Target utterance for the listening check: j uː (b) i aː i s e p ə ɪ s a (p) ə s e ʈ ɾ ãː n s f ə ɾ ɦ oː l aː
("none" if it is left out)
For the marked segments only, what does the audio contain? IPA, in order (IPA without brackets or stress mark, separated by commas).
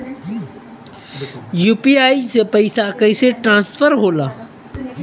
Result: p, k